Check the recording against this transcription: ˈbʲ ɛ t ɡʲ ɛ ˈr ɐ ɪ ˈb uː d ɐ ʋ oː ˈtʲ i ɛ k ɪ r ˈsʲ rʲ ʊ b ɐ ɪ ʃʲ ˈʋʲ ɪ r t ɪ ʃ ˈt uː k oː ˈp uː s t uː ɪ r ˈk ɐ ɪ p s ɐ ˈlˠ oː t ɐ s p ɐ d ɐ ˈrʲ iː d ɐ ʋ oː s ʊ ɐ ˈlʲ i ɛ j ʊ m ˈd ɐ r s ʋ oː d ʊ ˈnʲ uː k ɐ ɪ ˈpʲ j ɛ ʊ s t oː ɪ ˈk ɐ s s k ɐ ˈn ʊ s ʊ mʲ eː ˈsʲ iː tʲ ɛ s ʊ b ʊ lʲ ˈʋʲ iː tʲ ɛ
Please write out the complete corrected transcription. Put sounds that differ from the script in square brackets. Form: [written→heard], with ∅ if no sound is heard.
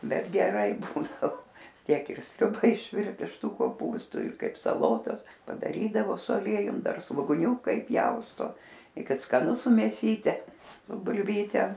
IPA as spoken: ˈbʲ ɛ t ɡʲ ɛ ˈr ɐ ɪ ˈb uː d ɐ ʋ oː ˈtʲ i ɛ k ɪ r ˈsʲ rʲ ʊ b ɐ ɪ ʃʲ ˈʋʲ ɪ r t ɪ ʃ ˈt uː k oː ˈp uː s t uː ɪ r ˈk ɐ ɪ p s ɐ ˈlˠ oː t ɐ s p ɐ d ɐ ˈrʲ iː d ɐ ʋ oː s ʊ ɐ ˈlʲ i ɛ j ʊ m ˈd ɐ r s ʋ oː [d→ɡ] ʊ ˈnʲ uː k ɐ ɪ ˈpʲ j ɛ ʊ s t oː ɪ ˈk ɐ [s→t] s k ɐ ˈn ʊ s ʊ mʲ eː ˈsʲ iː tʲ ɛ s ʊ b ʊ lʲ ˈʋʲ iː tʲ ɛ